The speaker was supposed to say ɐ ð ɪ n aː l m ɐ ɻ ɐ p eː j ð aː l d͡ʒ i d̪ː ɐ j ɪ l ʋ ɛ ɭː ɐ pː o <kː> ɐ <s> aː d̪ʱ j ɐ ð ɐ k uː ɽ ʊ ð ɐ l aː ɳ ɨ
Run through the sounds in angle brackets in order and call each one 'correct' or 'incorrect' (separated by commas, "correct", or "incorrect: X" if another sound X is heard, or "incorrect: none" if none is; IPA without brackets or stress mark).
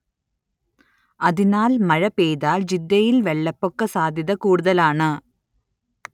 correct, correct